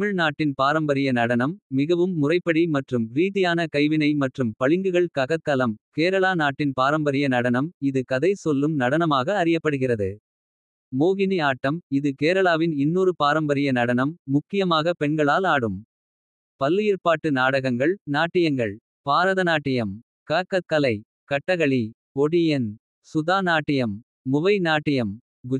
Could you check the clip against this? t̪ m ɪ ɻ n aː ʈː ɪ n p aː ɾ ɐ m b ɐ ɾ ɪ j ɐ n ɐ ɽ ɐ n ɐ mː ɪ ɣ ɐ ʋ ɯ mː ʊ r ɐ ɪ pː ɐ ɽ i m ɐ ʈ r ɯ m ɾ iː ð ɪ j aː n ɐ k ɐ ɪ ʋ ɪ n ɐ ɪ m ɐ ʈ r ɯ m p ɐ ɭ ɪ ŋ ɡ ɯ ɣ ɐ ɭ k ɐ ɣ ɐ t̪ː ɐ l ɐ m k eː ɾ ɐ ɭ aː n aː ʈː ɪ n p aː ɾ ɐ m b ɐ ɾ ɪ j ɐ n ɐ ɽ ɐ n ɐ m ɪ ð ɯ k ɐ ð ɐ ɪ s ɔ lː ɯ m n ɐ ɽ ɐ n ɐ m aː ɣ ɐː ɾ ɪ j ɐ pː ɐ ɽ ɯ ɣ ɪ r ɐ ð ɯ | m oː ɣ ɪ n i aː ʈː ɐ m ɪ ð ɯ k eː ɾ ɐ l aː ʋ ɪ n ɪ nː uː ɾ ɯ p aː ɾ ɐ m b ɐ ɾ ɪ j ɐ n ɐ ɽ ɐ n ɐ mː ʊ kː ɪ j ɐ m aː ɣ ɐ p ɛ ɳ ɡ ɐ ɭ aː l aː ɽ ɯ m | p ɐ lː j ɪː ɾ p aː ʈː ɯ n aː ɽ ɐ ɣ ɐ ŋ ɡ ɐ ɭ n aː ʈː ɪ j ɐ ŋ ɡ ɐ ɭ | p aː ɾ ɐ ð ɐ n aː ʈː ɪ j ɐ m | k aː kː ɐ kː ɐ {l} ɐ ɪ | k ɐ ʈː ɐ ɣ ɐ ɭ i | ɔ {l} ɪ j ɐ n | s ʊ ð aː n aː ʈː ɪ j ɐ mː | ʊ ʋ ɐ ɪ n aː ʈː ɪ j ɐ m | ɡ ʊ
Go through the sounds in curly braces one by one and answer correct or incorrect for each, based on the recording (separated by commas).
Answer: correct, incorrect